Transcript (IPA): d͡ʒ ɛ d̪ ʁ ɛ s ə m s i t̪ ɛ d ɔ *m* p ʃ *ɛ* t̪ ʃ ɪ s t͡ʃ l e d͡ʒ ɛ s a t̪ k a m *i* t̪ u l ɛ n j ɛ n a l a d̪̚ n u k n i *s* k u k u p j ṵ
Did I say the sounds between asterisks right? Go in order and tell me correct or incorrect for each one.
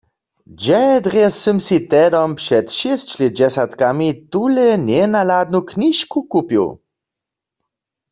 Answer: correct, correct, correct, incorrect

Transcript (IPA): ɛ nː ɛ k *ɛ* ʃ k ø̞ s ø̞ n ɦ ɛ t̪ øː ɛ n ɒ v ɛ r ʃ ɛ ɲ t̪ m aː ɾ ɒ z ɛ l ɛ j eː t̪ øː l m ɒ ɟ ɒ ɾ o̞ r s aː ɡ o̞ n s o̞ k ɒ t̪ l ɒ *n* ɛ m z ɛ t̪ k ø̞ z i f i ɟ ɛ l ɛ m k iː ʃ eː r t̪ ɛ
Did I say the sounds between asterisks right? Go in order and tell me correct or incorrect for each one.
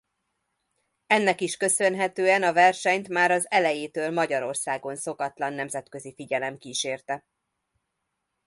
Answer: incorrect, incorrect

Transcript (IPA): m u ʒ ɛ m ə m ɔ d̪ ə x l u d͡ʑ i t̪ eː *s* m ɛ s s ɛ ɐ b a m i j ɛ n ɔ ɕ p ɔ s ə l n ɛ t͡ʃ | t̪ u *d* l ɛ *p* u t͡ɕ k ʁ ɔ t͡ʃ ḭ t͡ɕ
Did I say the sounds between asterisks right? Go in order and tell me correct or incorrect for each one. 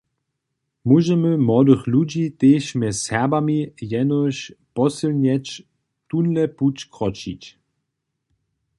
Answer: incorrect, incorrect, correct

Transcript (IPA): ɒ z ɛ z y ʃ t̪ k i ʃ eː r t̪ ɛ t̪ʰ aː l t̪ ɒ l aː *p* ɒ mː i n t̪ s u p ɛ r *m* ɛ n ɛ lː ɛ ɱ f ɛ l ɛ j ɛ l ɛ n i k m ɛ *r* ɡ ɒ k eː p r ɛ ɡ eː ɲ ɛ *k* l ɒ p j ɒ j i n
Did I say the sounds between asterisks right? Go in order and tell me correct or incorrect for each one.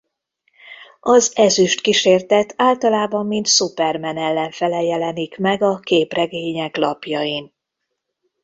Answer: incorrect, correct, incorrect, correct

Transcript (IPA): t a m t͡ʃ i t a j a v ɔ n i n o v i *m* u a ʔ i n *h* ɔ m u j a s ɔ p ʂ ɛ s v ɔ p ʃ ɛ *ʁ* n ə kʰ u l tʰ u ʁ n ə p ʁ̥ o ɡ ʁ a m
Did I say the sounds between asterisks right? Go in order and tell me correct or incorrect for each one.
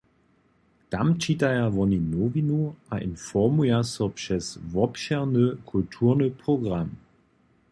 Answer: incorrect, incorrect, correct

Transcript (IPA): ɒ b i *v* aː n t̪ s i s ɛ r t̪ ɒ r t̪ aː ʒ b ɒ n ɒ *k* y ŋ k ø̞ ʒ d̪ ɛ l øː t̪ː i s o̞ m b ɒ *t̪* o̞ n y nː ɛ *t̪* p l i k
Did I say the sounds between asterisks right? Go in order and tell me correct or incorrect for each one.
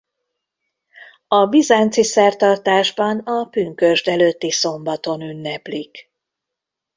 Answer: incorrect, incorrect, correct, incorrect

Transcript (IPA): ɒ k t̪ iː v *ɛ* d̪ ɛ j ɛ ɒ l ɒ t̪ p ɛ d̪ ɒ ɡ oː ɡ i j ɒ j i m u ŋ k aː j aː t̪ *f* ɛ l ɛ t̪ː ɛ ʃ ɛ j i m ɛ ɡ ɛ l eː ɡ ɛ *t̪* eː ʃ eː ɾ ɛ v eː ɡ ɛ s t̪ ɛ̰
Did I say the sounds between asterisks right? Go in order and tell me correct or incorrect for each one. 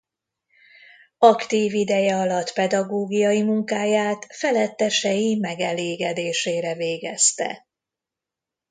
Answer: incorrect, correct, incorrect

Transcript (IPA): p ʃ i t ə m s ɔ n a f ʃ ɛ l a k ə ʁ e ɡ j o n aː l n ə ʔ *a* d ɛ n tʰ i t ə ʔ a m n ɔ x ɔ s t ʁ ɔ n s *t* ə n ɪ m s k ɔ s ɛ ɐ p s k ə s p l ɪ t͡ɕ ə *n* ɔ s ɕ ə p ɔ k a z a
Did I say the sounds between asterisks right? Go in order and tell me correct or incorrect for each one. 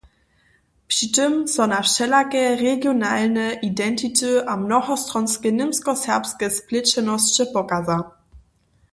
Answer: incorrect, incorrect, correct

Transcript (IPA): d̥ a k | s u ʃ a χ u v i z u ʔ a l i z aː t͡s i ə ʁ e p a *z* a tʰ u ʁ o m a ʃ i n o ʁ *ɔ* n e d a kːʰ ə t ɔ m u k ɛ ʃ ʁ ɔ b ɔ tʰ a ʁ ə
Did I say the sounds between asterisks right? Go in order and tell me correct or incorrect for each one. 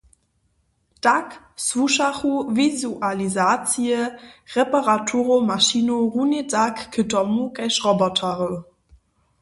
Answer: incorrect, incorrect

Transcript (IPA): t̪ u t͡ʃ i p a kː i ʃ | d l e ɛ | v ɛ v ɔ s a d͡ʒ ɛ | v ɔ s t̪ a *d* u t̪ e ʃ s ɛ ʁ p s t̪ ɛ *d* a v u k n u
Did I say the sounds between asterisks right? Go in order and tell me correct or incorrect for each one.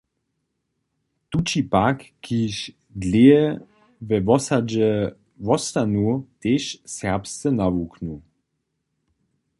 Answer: incorrect, incorrect

